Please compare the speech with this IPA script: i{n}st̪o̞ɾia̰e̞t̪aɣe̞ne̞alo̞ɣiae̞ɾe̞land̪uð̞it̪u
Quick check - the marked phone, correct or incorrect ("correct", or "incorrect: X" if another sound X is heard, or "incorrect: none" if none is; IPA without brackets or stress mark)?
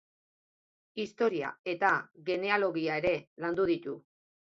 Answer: incorrect: none